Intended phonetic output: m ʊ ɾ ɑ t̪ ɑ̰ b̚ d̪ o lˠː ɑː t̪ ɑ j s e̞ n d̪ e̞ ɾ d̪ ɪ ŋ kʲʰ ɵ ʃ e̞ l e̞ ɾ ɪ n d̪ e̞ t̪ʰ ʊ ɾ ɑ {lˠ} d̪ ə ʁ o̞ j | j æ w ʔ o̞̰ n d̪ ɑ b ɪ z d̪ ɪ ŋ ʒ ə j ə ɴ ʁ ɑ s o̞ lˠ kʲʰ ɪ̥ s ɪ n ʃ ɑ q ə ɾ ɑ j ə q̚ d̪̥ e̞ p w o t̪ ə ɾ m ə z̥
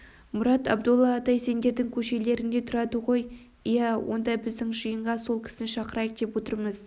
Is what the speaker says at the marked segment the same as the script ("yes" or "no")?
no